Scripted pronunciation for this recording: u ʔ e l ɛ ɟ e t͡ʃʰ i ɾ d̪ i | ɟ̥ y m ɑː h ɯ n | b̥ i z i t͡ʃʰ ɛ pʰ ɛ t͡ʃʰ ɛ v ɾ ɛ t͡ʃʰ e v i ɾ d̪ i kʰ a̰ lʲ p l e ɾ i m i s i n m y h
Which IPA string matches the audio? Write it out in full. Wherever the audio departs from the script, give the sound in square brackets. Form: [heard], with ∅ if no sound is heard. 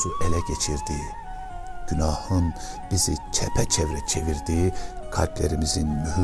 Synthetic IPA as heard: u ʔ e l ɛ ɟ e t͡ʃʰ i ɾ d̪ i | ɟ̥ y [n] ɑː h ɯ n | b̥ i z i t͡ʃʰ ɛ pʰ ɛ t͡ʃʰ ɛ v ɾ ɛ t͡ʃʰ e v i ɾ d̪ i kʰ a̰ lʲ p l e ɾ i m i [z] i n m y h